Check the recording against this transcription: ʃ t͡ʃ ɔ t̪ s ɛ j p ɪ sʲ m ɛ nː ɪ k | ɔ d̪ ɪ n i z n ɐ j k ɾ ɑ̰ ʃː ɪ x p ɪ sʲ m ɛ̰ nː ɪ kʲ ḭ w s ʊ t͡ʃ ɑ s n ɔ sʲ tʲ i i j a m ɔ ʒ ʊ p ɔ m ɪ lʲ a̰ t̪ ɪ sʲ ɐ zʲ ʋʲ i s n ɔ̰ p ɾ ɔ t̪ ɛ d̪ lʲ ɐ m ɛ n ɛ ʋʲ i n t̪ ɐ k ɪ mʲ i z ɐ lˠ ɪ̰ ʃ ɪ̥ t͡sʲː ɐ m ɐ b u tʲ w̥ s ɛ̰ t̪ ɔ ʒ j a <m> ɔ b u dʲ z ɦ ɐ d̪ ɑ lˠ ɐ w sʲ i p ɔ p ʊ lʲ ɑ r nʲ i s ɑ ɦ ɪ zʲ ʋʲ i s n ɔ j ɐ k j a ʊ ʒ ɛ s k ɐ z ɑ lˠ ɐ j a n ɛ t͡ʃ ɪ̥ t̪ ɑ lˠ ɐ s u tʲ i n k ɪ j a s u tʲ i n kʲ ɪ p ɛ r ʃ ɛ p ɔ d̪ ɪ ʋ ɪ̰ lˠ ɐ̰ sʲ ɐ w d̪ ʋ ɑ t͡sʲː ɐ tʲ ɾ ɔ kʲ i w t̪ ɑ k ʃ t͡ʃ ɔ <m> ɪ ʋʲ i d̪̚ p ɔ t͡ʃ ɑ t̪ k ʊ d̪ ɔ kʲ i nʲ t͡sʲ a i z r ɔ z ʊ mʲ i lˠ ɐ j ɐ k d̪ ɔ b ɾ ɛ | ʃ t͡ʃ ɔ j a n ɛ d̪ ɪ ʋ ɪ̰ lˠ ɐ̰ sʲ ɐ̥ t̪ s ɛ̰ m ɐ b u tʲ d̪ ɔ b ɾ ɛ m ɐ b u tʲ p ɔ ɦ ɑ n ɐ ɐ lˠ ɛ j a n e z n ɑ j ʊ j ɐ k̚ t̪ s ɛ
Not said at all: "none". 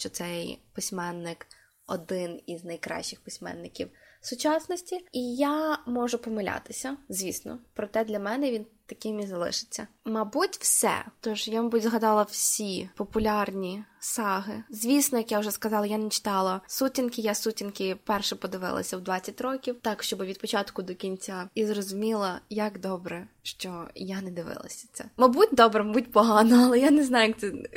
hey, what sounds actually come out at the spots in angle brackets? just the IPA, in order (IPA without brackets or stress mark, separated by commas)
m, b